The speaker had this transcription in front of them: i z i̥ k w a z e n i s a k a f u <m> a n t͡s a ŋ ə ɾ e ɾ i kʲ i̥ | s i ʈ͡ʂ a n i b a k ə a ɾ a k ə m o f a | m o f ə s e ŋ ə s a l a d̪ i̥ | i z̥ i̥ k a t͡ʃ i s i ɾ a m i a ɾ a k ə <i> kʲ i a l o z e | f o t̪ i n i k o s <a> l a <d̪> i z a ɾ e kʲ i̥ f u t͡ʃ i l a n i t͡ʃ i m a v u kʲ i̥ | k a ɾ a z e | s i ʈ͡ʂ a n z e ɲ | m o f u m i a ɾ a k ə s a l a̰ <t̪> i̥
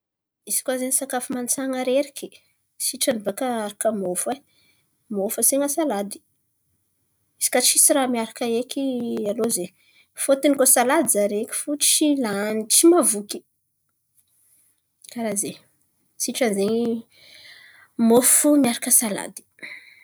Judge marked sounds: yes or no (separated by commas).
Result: yes, no, yes, yes, no